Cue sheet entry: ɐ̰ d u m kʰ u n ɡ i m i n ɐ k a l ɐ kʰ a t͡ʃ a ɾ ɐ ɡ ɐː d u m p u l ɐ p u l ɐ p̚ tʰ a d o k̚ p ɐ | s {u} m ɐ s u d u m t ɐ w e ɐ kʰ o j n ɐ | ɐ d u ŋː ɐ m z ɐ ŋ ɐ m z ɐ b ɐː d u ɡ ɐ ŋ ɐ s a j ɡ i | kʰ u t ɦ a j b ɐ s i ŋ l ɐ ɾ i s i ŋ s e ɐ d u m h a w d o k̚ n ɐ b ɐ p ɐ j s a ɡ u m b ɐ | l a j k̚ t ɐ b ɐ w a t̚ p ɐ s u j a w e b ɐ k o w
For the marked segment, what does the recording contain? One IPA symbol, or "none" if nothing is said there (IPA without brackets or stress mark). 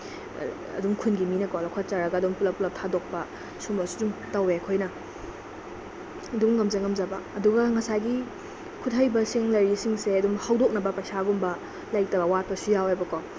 u